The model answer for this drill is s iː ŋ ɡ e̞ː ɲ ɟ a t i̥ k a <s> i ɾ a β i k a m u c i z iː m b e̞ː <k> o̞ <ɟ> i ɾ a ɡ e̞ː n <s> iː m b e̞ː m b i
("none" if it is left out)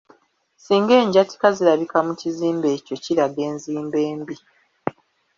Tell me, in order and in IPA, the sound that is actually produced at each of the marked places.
z, c, c, z

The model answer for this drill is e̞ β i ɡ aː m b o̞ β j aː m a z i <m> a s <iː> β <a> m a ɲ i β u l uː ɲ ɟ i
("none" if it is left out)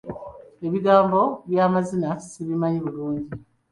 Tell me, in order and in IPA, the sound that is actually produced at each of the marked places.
n, i, i

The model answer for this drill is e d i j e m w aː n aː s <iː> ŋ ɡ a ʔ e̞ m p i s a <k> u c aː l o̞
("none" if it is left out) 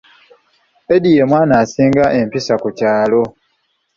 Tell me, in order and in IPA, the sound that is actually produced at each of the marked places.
iː, k

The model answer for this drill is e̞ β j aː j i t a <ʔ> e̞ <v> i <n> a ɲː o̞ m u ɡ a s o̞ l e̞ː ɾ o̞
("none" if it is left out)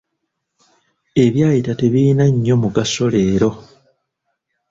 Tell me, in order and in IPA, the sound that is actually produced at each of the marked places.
t, β, n

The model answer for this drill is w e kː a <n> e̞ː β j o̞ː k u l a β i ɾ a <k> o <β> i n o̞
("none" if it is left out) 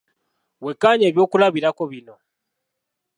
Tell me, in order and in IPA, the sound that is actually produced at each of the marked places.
ɲ, k, β

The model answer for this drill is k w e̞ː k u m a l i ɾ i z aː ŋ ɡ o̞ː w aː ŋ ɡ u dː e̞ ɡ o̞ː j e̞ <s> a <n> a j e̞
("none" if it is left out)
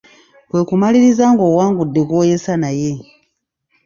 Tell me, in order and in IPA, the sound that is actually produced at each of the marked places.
s, n

